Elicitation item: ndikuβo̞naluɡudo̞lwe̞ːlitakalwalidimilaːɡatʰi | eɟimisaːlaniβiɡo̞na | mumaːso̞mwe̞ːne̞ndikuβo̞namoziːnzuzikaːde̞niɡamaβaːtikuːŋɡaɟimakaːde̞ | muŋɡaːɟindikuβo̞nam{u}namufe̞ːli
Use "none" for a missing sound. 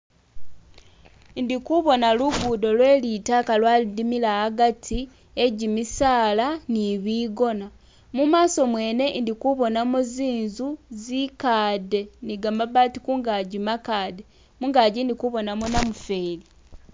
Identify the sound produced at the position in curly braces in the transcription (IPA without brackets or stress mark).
o